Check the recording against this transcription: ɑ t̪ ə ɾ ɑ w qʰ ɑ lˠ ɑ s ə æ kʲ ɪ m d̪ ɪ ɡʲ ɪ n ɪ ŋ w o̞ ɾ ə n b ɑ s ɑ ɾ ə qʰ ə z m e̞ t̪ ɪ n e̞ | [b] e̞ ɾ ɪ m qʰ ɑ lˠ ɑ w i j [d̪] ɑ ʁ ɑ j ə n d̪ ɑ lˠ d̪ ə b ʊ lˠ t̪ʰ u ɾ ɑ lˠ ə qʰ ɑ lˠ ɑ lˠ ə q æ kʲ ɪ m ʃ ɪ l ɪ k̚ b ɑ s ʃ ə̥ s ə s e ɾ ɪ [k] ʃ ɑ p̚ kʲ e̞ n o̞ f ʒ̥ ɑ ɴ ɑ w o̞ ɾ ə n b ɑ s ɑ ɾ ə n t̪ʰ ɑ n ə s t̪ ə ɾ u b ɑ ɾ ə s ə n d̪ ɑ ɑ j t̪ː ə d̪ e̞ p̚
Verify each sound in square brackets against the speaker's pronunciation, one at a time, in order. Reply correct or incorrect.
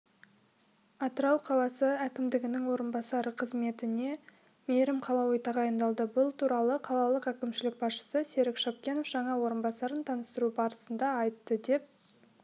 incorrect: m, incorrect: t̪, correct

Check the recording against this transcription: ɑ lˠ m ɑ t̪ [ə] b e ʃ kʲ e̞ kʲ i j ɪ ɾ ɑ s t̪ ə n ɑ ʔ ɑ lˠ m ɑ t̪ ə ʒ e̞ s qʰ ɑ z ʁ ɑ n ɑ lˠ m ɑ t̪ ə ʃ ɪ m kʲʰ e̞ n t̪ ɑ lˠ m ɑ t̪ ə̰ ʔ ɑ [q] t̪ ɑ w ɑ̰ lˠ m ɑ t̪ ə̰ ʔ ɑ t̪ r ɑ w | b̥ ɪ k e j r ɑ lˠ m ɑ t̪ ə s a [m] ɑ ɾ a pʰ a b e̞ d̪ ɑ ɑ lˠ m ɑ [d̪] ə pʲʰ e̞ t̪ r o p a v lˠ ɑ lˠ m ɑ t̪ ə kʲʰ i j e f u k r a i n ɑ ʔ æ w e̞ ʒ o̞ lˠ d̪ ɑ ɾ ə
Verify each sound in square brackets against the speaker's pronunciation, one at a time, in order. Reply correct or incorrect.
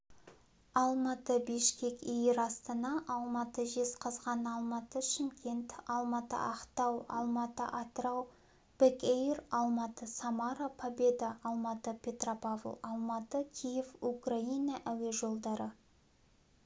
correct, correct, correct, incorrect: t̪

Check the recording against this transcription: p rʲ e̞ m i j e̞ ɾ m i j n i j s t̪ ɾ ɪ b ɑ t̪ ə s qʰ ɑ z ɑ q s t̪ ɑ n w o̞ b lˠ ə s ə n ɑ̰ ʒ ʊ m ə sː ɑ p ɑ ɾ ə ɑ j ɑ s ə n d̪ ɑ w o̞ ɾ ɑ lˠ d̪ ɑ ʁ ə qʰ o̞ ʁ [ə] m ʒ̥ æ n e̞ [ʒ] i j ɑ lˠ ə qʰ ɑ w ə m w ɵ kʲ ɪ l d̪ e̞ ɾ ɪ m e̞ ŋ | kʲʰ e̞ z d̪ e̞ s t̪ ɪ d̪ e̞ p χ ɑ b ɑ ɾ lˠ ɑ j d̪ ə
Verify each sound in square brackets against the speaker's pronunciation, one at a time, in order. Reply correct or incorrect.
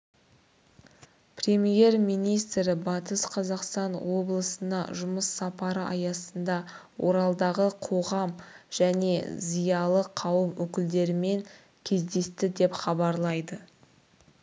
incorrect: ɑ, incorrect: z

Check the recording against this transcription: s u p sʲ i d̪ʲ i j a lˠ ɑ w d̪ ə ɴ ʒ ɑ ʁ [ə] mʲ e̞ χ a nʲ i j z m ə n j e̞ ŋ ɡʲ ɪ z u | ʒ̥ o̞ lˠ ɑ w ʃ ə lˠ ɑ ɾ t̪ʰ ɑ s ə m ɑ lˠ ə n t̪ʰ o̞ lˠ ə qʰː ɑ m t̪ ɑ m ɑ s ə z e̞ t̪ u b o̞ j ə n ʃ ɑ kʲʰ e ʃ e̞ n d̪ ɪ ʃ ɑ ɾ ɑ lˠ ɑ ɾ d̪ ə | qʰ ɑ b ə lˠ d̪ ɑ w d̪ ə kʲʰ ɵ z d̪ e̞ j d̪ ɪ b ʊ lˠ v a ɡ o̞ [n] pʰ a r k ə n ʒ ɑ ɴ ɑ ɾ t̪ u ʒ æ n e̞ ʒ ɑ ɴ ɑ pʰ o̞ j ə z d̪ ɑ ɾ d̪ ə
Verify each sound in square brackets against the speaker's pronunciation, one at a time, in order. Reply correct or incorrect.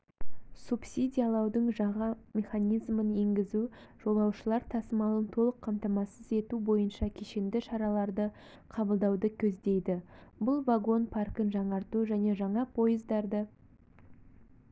incorrect: ɑ, correct

